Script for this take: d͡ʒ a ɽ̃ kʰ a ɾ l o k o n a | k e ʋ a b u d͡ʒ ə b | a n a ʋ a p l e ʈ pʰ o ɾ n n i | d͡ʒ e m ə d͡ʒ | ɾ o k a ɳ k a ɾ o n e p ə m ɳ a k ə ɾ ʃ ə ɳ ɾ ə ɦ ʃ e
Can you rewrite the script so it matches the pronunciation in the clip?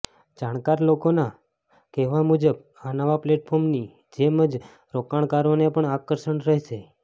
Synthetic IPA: d͡ʒ a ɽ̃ k a ɾ l o k o n a | k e ʋ a m u d͡ʒ ə b | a n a ʋ a p l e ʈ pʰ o ɾ m n i | d͡ʒ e m ə d͡ʒ | ɾ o k a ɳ k a ɾ o n e p ə ɳ a k ə ɾ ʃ ə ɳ ɾ ə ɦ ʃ e